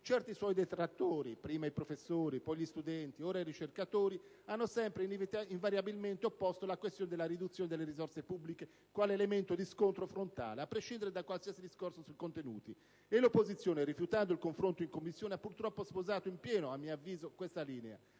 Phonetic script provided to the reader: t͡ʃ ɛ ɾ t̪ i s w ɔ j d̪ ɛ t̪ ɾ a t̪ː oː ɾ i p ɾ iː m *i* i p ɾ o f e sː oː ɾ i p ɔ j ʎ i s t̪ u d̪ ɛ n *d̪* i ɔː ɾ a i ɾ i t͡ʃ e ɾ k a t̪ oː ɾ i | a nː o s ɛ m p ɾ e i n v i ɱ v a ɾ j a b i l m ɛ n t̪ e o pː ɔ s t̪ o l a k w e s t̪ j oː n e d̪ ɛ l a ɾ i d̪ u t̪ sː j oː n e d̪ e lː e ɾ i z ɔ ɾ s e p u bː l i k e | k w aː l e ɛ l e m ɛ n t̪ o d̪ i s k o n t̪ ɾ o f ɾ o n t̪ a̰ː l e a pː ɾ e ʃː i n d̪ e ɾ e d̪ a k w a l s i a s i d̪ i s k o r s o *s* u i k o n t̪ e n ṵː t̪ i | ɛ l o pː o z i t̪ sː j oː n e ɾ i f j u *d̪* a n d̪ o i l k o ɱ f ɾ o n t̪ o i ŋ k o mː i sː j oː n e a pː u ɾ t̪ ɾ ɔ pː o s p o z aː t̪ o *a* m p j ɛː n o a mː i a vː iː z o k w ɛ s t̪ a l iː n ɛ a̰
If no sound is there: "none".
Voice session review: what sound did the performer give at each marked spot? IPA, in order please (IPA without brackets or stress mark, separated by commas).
a, t̪, s, t̪, i